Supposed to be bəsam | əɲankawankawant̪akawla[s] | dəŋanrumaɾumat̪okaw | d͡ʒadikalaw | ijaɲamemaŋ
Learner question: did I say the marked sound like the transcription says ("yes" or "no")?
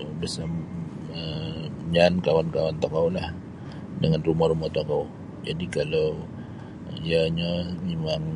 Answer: no